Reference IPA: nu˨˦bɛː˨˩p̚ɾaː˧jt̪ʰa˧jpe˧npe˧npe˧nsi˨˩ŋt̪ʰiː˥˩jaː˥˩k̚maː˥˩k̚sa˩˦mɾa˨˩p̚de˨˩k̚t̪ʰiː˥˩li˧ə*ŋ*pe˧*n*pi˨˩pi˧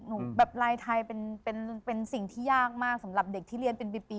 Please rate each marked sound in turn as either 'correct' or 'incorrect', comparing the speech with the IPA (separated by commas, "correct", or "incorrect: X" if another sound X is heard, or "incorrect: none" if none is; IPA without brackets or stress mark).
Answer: incorrect: n, correct